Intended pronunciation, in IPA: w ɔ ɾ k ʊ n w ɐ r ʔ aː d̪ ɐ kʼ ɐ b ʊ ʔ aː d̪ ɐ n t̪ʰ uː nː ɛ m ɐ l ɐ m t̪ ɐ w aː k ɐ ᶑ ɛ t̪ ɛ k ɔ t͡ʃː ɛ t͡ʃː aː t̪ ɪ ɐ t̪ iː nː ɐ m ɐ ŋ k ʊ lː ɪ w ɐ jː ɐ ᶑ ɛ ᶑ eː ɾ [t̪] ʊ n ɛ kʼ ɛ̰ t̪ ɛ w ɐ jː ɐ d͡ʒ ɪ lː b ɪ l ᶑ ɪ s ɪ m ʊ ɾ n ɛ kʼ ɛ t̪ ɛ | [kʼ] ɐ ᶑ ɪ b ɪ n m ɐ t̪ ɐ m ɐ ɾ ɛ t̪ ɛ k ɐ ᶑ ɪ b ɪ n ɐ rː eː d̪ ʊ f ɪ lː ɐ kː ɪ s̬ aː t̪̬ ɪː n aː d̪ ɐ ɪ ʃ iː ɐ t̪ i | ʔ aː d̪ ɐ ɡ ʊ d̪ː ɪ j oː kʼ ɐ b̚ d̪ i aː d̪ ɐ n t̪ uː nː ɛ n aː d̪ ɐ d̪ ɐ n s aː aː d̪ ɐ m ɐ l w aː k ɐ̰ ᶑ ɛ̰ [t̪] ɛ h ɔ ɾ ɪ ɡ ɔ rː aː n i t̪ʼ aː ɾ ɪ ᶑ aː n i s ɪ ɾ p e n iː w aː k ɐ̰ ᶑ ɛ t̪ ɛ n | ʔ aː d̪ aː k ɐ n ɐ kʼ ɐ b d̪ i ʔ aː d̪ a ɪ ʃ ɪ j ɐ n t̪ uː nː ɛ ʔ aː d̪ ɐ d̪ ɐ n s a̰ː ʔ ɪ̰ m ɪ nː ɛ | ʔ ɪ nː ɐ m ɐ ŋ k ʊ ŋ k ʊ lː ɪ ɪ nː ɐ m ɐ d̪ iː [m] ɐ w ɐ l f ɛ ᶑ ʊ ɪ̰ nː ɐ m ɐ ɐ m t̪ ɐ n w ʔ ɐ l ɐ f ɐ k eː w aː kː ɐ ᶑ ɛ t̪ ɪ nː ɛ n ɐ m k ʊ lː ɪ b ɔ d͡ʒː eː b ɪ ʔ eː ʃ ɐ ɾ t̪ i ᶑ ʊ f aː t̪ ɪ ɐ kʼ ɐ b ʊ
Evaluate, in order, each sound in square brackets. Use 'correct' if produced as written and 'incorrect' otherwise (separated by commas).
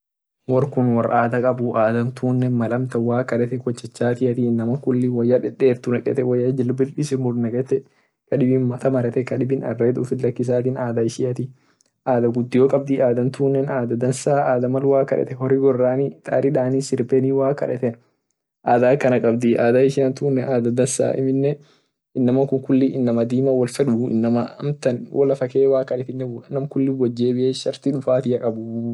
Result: correct, incorrect, correct, correct